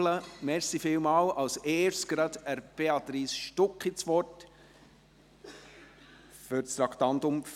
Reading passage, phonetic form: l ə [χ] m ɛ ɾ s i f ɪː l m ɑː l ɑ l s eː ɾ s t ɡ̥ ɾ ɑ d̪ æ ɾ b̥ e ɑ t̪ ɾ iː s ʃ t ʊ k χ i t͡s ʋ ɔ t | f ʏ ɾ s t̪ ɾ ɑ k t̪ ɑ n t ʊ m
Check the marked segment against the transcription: incorrect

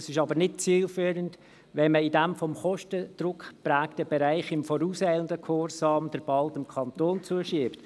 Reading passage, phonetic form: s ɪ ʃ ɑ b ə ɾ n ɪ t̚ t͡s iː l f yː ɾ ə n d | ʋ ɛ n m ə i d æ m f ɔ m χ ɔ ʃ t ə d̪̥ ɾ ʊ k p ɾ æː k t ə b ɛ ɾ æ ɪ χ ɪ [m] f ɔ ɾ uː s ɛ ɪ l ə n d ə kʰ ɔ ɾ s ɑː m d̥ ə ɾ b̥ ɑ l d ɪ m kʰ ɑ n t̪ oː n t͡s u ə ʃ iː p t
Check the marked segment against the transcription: correct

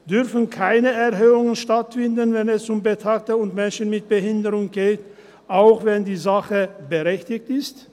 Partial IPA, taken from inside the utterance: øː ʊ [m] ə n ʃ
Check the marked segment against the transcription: incorrect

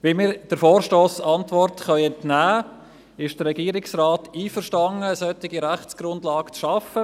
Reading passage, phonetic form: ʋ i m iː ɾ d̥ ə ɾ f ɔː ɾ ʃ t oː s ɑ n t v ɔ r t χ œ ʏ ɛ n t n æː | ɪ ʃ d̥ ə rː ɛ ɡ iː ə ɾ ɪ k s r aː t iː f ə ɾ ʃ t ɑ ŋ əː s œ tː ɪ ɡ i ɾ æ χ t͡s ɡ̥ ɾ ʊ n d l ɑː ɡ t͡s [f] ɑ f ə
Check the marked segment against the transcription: incorrect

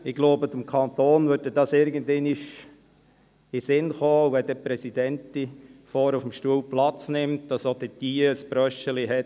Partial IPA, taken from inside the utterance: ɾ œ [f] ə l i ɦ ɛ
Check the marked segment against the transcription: incorrect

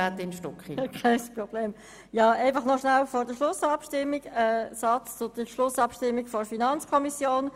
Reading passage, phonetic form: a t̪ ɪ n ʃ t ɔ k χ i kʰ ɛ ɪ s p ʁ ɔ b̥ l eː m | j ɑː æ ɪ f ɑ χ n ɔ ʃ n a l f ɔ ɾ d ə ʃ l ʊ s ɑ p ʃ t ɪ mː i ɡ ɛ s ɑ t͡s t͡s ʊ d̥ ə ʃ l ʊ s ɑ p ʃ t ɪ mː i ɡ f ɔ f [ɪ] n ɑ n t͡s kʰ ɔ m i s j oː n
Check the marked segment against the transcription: incorrect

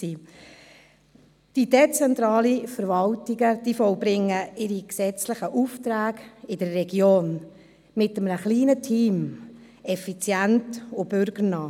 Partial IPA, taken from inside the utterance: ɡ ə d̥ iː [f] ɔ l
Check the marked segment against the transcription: correct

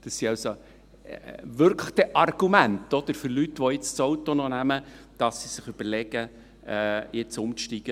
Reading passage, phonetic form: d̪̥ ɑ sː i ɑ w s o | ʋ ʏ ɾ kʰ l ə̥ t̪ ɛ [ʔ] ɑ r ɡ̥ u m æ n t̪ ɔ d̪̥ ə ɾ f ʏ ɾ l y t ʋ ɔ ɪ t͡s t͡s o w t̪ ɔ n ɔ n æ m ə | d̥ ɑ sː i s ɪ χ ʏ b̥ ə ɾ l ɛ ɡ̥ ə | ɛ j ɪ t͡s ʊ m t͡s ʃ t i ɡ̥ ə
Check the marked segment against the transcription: correct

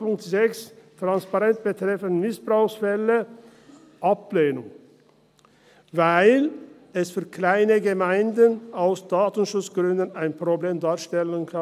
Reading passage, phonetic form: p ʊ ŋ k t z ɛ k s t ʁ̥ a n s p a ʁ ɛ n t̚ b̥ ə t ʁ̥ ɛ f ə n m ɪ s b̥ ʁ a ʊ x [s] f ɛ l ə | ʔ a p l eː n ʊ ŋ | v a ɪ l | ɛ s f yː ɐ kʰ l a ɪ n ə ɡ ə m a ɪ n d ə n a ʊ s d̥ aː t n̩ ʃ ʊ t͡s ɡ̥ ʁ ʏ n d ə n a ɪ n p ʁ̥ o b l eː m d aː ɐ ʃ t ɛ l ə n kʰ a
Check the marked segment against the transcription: correct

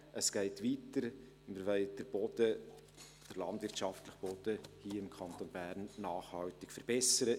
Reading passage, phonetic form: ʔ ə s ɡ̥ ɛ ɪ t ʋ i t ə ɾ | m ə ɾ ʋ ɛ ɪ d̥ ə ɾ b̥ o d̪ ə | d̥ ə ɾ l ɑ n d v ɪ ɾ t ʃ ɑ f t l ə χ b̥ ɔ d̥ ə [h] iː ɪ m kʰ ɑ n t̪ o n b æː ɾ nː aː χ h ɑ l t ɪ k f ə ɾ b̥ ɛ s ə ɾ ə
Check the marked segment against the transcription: correct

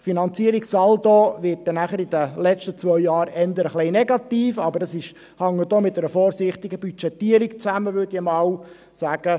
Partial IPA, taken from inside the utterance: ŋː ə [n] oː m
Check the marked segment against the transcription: incorrect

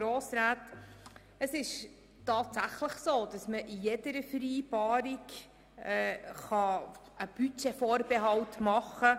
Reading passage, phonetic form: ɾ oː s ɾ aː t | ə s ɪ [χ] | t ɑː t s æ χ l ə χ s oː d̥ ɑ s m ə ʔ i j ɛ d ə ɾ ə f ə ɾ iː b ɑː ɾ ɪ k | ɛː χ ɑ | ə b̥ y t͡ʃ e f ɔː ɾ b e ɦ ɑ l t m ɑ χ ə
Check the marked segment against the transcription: incorrect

